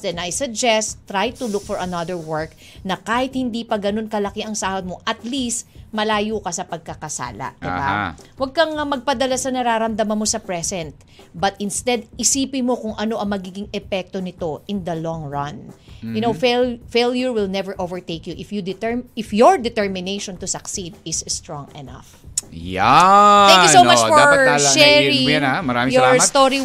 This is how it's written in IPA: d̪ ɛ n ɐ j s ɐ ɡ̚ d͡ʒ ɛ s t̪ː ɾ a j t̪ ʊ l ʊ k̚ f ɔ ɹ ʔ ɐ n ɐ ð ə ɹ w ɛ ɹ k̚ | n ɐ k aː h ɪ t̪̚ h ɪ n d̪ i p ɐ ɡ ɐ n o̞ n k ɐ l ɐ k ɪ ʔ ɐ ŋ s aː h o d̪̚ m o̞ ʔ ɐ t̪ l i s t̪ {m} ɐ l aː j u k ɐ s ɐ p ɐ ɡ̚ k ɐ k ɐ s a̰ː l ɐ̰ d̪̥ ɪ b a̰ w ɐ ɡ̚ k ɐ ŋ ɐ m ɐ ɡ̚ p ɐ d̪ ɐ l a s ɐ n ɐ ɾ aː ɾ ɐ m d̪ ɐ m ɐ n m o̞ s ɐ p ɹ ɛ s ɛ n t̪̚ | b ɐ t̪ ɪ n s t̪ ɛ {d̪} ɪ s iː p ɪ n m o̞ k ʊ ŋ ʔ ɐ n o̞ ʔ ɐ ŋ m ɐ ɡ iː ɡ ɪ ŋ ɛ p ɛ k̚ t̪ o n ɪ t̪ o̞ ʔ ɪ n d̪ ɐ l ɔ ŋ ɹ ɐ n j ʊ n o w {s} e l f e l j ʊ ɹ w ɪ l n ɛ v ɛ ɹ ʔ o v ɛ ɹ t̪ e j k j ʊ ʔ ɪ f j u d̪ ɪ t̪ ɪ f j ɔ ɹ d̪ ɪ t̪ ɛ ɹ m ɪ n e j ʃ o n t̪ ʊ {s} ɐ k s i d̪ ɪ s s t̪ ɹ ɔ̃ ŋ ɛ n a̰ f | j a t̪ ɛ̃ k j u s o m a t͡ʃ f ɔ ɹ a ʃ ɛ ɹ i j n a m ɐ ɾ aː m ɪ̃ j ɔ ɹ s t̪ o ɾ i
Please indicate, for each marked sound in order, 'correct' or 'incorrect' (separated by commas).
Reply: correct, correct, incorrect, correct